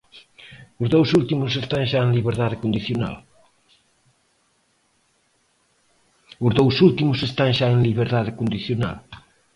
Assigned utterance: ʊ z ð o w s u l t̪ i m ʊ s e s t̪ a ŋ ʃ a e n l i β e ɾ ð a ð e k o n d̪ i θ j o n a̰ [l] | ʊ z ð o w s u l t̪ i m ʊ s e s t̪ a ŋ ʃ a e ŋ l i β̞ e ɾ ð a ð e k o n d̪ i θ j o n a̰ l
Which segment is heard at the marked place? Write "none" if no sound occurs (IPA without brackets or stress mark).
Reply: l